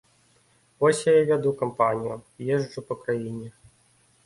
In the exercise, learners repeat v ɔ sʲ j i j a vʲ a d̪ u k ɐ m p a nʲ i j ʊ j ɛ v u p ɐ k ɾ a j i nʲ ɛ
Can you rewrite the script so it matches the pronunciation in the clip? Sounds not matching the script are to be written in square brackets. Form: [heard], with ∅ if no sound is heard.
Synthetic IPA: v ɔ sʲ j [a] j a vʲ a d̪ u k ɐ m p a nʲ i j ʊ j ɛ [ʐ] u p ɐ k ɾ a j i nʲ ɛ

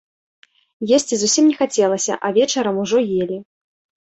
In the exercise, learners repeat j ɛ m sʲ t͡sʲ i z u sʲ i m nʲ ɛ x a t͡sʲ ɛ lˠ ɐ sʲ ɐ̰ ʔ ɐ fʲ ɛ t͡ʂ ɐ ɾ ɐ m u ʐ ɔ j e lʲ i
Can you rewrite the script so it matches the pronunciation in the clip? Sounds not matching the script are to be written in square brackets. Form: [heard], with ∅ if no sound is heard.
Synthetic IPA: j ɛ [∅] sʲ t͡sʲ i z u sʲ i m nʲ ɛ x a t͡sʲ ɛ lˠ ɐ sʲ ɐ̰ ʔ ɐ [vʲ] ɛ t͡ʂ ɐ ɾ ɐ m u ʐ ɔ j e lʲ i

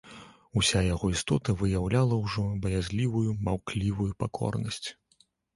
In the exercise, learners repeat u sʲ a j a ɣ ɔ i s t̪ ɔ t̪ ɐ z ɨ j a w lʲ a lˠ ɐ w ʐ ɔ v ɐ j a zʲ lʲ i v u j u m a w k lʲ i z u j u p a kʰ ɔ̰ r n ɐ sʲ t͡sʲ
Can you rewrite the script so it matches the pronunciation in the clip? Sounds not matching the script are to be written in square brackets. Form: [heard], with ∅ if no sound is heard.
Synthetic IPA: u sʲ a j a ɣ ɔ i s t̪ ɔ t̪ ɐ [v] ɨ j a w lʲ a lˠ ɐ w ʐ ɔ [b] ɐ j a zʲ lʲ i v u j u m a w k lʲ i [v] u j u p a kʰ ɔ̰ r n ɐ sʲ t͡sʲ

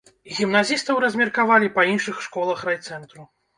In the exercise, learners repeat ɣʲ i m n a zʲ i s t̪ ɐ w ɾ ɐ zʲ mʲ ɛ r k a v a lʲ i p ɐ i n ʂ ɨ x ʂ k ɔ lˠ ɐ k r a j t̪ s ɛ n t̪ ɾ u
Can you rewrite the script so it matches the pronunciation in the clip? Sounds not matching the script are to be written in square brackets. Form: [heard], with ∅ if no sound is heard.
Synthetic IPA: ɣʲ i m n a zʲ i s t̪ ɐ w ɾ ɐ zʲ mʲ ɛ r k a v a lʲ i p ɐ i n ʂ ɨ x ʂ k ɔ lˠ ɐ [x] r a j t̪ s ɛ n t̪ ɾ u

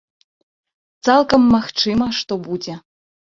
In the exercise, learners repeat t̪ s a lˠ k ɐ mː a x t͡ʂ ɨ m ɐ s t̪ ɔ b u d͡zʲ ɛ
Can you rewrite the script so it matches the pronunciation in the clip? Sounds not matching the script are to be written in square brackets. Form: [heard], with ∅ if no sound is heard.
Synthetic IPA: t̪ s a lˠ k ɐ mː a x t͡ʂ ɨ m ɐ [ʂ] t̪ ɔ b u d͡zʲ ɛ

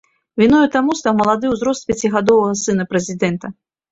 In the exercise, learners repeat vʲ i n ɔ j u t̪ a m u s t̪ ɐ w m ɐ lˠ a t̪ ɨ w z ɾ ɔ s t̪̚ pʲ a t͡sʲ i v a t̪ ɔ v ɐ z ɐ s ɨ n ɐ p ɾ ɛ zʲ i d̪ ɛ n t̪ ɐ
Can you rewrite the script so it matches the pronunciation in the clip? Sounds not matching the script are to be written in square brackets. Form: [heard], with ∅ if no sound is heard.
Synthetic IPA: vʲ i n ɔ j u t̪ a m u s t̪ [a] w m ɐ lˠ a [d̪] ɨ w z ɾ ɔ s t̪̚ pʲ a t͡sʲ i [ɣ] a [d̪] ɔ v ɐ [ɣ] ɐ s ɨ n ɐ p ɾ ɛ zʲ i d̪ ɛ n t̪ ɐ

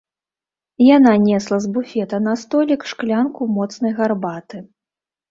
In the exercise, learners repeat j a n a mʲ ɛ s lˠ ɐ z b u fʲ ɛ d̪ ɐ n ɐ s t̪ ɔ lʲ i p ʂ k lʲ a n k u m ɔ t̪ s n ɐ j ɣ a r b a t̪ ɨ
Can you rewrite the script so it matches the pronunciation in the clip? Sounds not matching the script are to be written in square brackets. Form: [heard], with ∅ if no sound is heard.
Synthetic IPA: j a n a [nʲ] ɛ s lˠ ɐ z b u fʲ ɛ [t̪] ɐ n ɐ s t̪ ɔ lʲ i [k] ʂ k lʲ a n k u m ɔ t̪ s n ɐ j ɣ a r b a t̪ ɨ

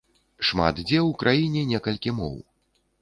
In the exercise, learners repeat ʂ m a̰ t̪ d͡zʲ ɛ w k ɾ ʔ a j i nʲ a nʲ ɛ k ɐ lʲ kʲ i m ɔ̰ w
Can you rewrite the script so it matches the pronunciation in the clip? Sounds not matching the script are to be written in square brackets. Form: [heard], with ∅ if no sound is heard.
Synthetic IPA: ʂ m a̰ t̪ d͡zʲ ɛ w k ɾ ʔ a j i nʲ [ɛ] nʲ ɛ k ɐ lʲ kʲ i m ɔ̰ w

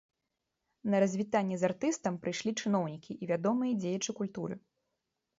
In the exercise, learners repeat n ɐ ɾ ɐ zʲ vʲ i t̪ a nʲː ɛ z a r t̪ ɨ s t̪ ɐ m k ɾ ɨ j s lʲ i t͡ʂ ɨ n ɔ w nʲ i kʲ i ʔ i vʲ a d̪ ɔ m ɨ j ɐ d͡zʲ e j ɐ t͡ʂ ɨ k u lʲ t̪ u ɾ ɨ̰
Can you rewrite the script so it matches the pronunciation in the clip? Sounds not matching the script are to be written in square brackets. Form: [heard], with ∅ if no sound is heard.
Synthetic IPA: n ɐ ɾ ɐ zʲ vʲ i t̪ a nʲː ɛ z a r t̪ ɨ s t̪ ɐ m [p] ɾ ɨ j [ʂ] lʲ i t͡ʂ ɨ n ɔ w nʲ i kʲ i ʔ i vʲ a d̪ ɔ m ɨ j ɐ d͡zʲ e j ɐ t͡ʂ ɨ k u lʲ t̪ u ɾ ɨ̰

